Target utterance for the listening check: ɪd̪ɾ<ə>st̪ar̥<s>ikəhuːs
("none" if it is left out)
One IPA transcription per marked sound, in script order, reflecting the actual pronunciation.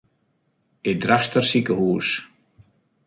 a, s

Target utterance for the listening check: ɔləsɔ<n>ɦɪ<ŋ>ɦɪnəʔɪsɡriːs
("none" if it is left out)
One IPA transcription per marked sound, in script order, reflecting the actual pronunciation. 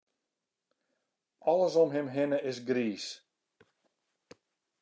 m, m

